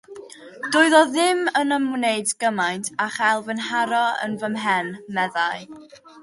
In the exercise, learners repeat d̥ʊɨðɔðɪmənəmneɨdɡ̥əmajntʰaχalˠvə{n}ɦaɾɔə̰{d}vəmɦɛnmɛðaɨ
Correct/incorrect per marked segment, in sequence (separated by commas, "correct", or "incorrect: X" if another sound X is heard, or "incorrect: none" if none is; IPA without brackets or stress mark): correct, incorrect: n